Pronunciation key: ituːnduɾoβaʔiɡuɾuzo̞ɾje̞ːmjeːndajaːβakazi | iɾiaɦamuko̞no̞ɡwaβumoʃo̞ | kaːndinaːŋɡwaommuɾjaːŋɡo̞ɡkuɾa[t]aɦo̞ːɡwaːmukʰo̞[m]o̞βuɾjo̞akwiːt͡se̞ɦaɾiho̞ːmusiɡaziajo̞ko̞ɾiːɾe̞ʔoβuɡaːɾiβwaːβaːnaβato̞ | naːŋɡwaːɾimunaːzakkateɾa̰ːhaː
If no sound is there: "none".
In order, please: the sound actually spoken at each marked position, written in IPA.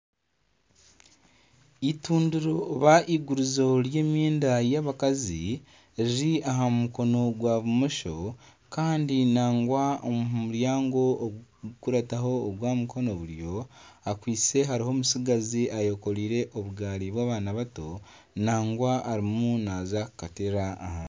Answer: t, n

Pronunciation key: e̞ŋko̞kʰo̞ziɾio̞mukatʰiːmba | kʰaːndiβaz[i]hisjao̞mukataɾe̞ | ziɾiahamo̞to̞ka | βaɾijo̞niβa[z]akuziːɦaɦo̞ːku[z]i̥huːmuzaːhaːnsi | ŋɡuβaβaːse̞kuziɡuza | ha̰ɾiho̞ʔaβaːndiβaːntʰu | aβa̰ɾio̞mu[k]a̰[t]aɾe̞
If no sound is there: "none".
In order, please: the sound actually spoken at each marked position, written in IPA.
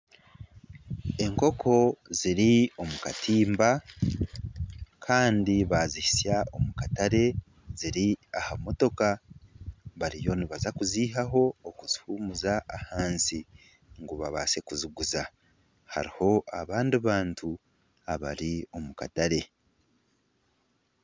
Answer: i, z, z, k, t

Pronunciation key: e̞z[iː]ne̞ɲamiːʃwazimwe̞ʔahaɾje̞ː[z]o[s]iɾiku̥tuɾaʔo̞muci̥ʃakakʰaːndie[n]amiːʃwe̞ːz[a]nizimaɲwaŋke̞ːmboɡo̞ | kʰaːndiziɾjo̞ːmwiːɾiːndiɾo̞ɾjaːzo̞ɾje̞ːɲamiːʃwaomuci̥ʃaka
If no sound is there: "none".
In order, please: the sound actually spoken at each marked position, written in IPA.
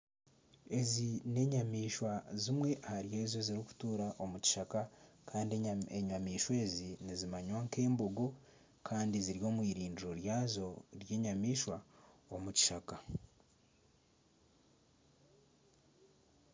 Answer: i, z, z, ɲ, i

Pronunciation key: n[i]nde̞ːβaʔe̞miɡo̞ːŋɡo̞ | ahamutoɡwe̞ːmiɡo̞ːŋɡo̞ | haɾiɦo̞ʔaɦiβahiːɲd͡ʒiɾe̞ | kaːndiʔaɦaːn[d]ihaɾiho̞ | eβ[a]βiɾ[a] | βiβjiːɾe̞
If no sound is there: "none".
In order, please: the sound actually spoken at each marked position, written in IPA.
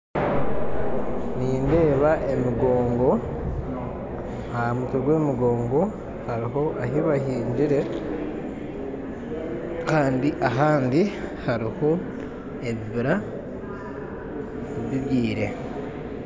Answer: iː, d, i, a

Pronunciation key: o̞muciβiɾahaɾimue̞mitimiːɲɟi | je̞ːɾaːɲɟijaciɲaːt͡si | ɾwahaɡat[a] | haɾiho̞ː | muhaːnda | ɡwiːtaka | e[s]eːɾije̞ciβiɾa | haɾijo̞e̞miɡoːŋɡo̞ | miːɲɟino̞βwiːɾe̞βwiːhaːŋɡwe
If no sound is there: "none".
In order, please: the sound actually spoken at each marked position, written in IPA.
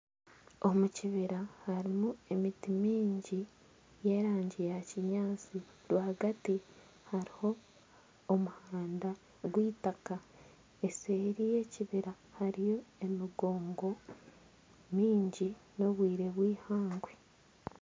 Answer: i, s

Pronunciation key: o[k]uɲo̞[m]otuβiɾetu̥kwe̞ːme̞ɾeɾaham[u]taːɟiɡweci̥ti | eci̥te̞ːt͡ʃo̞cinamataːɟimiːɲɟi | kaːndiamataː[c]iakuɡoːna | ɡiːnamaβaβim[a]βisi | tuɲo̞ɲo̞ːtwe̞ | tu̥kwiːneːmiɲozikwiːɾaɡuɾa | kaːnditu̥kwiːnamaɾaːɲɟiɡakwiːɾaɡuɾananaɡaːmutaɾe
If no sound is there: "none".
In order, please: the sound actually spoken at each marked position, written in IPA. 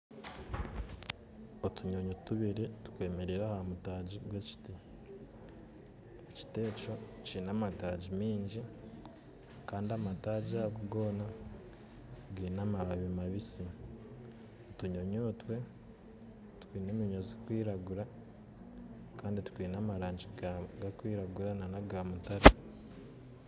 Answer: t, ɲ, u, ɟ, a

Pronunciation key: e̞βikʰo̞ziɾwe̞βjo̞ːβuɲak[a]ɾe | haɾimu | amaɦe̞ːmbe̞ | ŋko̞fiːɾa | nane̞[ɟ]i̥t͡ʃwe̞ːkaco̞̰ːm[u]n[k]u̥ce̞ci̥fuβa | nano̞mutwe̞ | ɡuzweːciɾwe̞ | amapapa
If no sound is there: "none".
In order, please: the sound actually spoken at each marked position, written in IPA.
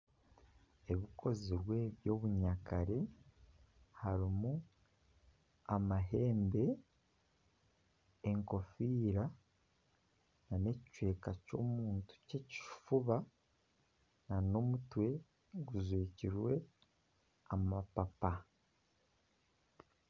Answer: a, c, uː, t

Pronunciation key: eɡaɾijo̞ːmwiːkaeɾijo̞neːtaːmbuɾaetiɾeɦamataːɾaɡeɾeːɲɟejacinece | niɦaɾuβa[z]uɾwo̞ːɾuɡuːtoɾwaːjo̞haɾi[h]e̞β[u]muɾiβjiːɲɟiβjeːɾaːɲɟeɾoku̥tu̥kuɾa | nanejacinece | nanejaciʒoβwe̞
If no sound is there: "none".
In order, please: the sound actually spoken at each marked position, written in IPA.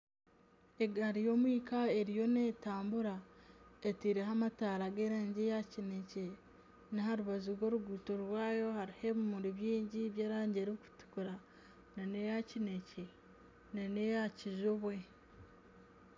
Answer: z, h, u

